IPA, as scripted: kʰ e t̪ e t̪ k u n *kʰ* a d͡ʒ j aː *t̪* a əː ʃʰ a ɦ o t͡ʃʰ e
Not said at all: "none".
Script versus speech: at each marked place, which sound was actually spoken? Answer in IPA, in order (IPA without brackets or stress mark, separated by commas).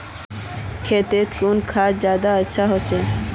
kʰ, d̪